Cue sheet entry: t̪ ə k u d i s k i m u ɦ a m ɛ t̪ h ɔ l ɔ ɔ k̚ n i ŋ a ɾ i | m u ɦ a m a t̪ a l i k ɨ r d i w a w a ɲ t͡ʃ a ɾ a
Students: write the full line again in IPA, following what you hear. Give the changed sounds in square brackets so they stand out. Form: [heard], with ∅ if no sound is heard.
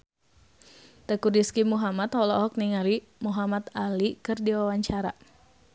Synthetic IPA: t̪ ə k u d i s k i m u ɦ a m [a] t̪ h ɔ l ɔ ɔ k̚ n i ŋ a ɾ i | m u ɦ a m a t̪ a l i k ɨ r d i w a w a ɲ t͡ʃ a ɾ a